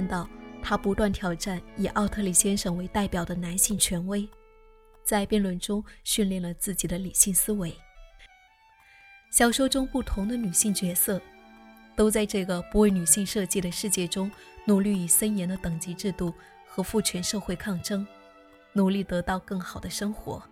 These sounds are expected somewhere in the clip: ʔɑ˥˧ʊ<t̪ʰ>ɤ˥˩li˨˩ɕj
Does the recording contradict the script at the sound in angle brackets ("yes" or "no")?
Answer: no